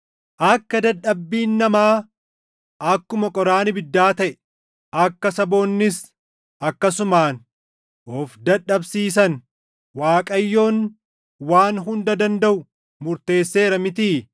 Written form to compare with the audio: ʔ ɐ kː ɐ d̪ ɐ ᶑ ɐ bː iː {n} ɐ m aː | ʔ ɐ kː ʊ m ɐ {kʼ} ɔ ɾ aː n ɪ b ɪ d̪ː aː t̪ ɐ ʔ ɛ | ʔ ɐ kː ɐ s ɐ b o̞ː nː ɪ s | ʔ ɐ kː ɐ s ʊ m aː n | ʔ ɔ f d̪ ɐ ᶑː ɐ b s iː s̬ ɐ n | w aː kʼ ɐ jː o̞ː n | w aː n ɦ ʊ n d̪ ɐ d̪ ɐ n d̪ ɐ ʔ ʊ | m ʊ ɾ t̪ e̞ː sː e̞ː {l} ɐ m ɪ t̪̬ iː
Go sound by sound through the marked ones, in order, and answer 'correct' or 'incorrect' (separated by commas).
incorrect, correct, incorrect